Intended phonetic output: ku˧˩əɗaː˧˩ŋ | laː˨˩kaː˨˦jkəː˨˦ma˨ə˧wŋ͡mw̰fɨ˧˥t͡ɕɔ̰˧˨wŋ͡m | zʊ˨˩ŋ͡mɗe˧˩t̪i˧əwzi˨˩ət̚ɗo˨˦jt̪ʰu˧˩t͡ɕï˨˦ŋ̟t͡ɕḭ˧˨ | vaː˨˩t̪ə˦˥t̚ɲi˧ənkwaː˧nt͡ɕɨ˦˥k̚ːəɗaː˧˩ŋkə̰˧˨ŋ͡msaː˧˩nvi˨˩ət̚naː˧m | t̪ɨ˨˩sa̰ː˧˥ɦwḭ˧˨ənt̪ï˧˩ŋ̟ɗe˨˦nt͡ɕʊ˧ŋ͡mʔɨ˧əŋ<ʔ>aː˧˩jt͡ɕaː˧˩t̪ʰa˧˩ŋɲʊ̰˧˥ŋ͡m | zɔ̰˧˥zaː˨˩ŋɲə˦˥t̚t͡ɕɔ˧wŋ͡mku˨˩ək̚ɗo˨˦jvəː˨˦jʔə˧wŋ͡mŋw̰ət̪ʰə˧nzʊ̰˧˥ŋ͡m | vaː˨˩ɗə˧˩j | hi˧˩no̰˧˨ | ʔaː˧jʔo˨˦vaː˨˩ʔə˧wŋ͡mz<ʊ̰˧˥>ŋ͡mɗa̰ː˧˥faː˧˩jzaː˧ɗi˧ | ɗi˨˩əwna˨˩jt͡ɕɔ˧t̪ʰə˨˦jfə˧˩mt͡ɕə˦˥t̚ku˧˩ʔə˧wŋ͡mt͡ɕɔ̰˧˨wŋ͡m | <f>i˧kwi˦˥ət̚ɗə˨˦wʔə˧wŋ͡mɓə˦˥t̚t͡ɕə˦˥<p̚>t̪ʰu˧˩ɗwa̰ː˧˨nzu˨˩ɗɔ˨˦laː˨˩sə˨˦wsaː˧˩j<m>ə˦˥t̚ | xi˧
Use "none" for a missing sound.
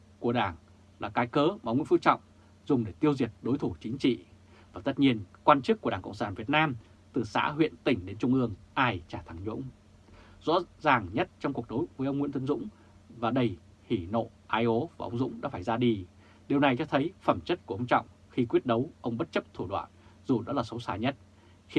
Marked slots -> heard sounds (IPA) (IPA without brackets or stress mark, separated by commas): ʔ, ʊ̰˧˥, x, p̚, ɲ